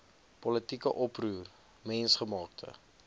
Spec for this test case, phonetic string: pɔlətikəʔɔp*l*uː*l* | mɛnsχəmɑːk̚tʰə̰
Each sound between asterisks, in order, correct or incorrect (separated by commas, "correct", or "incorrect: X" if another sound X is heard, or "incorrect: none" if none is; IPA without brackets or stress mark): incorrect: r, incorrect: r